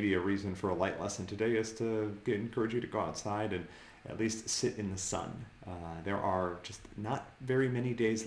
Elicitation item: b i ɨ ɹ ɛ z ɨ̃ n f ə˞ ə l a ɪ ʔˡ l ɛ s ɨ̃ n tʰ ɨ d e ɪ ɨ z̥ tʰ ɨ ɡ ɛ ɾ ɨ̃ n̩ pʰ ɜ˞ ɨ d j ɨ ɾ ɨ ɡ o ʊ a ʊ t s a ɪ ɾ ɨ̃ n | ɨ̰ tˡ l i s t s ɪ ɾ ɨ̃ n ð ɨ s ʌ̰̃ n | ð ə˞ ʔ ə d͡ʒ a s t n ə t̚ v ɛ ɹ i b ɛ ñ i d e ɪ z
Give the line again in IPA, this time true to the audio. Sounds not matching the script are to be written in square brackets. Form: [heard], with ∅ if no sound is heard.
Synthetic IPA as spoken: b i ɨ ɹ [i] z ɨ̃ n f ə˞ ə l a ɪ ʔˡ l ɛ s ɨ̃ n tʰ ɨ d e ɪ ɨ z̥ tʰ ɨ ɡ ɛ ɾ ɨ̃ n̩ [kʰ] ɜ˞ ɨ [d͡ʒ] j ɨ ɾ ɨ ɡ o ʊ a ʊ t s a ɪ ɾ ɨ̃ n | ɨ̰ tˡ l i s t s ɪ ɾ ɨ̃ n ð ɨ s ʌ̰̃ n | ð ə˞ ʔ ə d͡ʒ [ʌ] s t n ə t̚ v ɛ ɹ i [m] ɛ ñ i d e ɪ z